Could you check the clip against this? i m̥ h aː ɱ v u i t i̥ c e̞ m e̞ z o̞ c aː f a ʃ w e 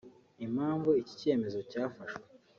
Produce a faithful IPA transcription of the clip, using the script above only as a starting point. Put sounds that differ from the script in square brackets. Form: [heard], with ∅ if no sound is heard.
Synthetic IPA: i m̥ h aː ɱ v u i [c] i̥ c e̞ m e̞ z o̞ c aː f a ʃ w e